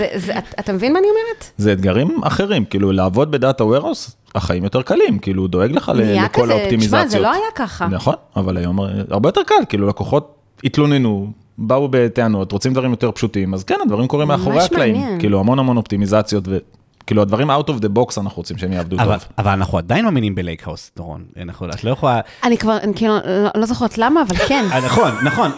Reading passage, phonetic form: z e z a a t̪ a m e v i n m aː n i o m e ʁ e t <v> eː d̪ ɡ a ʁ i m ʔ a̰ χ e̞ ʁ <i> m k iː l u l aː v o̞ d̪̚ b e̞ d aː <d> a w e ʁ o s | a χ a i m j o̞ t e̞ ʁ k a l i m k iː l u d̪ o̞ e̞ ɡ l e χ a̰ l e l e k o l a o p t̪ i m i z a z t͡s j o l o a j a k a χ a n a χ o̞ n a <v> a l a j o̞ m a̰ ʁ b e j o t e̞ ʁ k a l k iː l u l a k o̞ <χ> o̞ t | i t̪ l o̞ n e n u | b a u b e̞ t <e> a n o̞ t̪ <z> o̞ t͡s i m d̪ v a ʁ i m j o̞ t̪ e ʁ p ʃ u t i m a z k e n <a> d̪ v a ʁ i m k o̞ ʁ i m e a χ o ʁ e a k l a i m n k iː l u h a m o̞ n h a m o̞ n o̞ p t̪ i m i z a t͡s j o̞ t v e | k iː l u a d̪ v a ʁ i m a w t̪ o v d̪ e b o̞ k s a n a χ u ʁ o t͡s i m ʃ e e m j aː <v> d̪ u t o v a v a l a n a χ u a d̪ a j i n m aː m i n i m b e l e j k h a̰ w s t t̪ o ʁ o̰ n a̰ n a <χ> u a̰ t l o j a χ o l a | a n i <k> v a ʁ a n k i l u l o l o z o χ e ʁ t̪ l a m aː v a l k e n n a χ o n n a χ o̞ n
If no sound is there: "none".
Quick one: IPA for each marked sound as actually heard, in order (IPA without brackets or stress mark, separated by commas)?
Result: z, i, t, v, χ, e, ʁ, a, v, χ, k